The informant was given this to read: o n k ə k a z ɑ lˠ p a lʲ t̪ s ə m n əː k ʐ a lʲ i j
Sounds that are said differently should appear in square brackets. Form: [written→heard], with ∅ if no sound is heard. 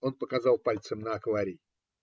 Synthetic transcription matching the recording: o n [k→p] ə k a z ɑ lˠ p a lʲ t̪ s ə m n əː k [ʐ→v] a [lʲ→ɾʲ] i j